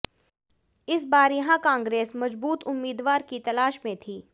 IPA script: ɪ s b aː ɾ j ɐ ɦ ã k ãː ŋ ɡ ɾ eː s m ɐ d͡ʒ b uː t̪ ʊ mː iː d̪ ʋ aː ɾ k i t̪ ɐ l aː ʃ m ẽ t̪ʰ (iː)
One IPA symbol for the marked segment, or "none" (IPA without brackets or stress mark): iː